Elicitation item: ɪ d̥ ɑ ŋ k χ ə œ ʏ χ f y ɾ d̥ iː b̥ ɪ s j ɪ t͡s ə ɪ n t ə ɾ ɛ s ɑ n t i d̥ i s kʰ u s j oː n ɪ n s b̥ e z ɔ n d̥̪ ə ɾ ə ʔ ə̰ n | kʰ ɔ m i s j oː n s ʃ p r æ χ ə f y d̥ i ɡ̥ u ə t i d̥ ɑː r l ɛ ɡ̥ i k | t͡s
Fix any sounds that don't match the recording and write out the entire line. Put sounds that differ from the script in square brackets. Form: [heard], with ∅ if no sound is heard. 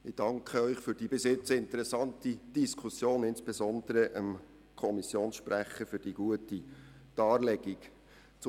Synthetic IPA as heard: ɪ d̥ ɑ ŋ k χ ə œ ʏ χ f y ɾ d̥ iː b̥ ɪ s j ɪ t͡s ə ɪ n t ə ɾ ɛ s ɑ n t i d̥ i s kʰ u s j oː n ɪ n s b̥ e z ɔ n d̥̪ ə ɾ ə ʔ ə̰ [m] | kʰ ɔ m i s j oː n s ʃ p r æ χ ə f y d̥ i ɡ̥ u ə t i d̥ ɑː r l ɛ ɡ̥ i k | t͡s